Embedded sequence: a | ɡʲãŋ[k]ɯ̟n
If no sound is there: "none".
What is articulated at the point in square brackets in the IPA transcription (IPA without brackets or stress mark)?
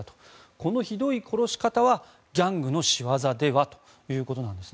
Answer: ɡ